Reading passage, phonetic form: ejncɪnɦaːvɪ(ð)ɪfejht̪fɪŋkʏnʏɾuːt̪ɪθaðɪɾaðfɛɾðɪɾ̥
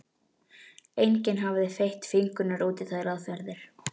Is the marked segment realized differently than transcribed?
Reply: no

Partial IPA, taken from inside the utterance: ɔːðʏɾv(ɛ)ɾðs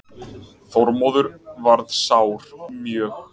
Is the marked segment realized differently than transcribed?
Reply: yes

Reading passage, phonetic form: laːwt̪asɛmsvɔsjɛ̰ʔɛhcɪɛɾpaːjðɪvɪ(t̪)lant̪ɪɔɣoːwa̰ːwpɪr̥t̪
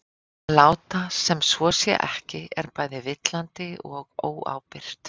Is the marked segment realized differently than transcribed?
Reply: no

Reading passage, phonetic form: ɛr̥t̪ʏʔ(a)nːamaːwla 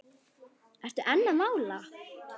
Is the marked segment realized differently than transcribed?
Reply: yes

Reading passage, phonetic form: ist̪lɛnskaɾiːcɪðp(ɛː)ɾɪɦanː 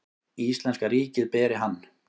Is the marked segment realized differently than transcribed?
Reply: no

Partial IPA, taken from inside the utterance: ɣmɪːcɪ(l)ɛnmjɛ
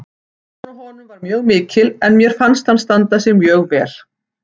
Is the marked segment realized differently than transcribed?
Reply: no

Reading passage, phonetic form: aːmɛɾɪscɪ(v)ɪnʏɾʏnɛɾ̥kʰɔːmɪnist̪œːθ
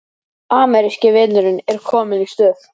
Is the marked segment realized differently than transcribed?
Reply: no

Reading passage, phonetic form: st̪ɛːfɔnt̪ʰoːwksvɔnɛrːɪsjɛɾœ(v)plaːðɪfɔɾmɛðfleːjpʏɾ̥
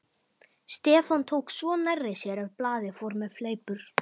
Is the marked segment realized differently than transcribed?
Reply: no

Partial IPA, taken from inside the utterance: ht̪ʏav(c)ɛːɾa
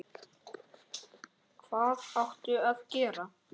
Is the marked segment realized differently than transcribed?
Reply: no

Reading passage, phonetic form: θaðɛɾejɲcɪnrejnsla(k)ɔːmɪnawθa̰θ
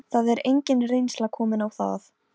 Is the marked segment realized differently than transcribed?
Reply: yes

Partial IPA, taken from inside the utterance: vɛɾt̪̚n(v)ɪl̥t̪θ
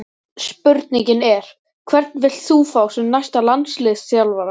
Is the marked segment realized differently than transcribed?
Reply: no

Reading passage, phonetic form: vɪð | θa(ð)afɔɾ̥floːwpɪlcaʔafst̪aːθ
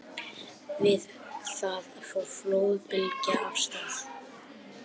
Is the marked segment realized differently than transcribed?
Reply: no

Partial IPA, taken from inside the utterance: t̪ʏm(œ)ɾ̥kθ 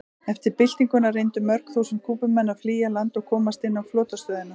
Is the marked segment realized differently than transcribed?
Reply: no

